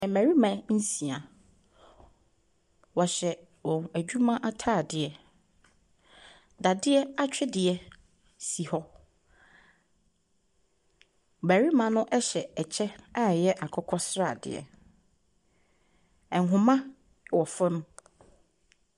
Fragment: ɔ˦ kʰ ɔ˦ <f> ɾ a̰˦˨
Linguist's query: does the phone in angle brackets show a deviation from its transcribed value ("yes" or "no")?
yes